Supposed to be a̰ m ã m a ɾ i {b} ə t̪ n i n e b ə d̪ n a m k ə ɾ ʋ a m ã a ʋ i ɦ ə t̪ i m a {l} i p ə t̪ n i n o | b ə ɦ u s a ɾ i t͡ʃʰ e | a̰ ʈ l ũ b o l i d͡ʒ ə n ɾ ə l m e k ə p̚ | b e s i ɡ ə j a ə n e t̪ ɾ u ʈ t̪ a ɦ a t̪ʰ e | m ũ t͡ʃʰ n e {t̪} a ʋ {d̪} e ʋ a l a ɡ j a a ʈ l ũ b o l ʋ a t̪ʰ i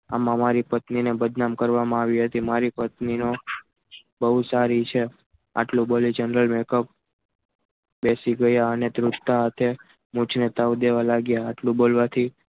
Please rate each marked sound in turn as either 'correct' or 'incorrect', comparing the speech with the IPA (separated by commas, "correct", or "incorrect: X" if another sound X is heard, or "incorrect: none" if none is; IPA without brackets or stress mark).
incorrect: p, incorrect: ɾ, correct, correct